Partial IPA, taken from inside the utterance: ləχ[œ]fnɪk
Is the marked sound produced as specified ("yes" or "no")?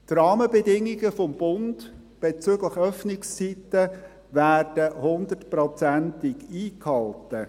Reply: yes